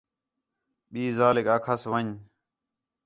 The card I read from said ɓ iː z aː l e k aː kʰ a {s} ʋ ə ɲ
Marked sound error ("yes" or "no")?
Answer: no